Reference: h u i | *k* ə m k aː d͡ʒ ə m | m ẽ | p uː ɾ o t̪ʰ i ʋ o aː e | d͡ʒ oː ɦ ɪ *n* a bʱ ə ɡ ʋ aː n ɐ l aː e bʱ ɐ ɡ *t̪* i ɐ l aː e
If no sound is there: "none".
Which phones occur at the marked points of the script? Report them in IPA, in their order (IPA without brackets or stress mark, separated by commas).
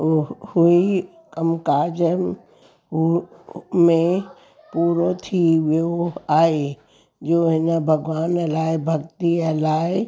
k, n, t̪